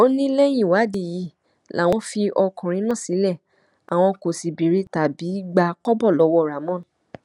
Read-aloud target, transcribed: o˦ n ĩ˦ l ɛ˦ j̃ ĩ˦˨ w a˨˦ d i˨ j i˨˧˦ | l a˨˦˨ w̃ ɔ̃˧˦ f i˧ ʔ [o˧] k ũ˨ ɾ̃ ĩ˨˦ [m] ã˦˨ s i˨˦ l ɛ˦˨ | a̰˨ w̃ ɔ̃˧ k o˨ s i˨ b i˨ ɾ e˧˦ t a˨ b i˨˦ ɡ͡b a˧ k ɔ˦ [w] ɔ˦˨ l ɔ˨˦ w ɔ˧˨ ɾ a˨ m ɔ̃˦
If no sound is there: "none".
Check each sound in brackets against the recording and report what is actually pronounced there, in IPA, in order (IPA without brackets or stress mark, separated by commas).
ɔ˧, n, b